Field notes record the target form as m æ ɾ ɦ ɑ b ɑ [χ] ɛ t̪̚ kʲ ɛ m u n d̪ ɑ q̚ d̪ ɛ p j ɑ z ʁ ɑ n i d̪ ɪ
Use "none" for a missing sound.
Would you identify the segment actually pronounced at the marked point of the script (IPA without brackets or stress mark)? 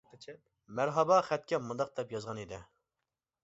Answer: χ